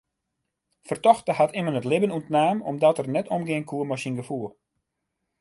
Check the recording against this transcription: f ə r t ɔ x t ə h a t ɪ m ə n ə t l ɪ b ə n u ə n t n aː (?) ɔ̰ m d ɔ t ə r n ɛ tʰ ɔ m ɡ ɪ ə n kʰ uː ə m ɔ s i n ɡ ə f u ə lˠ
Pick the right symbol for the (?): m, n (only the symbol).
m